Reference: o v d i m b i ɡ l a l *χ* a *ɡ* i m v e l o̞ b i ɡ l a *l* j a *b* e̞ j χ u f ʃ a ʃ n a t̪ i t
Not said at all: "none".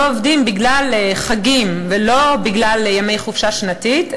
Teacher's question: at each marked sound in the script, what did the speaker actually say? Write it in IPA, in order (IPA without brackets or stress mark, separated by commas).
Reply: χ, ɡ, l, m